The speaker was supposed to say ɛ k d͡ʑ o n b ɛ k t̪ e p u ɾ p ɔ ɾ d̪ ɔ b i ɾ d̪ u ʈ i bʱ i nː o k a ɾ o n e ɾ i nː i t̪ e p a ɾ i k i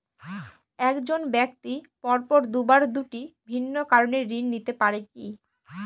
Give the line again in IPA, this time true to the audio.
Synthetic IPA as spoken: ɛ k d͡ʑ o n b ɛ k t̪ i p ɔ ɾ p ɔ ɾ d̪ u b a ɾ d̪ u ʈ i bʱ i nː o k a ɾ o n e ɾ i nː i t̪ e p a ɾ e k i